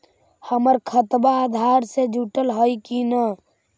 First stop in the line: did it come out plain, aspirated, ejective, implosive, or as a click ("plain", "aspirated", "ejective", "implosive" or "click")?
aspirated